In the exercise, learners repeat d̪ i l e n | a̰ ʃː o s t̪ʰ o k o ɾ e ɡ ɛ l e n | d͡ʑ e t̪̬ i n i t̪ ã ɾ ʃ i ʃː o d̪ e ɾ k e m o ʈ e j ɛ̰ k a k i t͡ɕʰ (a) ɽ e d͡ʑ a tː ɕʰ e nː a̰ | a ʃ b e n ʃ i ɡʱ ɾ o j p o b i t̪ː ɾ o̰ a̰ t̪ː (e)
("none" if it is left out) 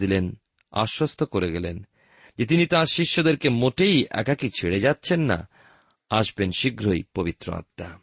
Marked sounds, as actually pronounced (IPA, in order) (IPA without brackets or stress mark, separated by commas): e, a